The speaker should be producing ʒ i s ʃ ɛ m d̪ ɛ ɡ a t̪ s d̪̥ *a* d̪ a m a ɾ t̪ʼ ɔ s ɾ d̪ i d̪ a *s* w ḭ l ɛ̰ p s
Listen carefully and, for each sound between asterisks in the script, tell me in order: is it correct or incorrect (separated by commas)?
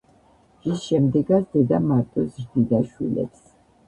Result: incorrect, incorrect